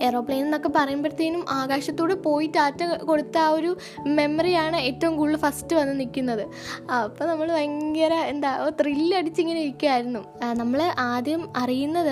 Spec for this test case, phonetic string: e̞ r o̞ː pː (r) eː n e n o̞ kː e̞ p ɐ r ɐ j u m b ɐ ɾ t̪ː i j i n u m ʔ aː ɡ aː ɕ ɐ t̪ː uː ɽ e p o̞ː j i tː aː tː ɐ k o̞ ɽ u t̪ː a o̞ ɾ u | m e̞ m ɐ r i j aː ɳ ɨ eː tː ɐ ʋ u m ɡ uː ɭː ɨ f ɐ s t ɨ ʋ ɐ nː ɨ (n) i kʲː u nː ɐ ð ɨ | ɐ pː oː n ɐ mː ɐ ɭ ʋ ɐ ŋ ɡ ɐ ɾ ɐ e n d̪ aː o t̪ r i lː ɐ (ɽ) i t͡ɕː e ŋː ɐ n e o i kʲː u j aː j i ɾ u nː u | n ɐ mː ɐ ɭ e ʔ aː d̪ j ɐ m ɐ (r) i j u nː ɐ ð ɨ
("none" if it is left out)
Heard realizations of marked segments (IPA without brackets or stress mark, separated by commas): ɭ, n, ɽ, r